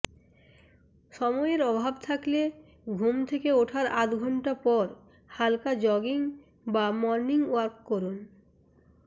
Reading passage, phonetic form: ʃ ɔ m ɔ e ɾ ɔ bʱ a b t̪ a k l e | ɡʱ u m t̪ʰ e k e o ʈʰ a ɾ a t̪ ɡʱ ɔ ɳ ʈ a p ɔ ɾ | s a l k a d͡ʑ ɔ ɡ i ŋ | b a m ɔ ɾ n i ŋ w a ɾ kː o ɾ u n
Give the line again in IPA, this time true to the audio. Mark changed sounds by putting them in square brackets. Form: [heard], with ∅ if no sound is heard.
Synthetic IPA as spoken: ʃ ɔ m ɔ e ɾ ɔ bʱ a b [t̪ʰ] a k l e | ɡʱ u m t̪ʰ e k e o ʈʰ a ɾ a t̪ ɡʱ ɔ ɳ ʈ a p ɔ ɾ | [h] a l k a d͡ʑ ɔ ɡ i ŋ | b a m ɔ ɾ n i ŋ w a ɾ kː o ɾ u n